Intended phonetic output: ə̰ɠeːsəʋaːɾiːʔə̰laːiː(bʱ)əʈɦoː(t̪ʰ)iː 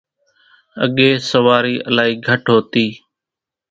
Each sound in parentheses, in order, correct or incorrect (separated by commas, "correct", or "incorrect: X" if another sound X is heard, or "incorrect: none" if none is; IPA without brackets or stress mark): incorrect: ɡʱ, incorrect: t̪